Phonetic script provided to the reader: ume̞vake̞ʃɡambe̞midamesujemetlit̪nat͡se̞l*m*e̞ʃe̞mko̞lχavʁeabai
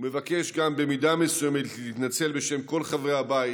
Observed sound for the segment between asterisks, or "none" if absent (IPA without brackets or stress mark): b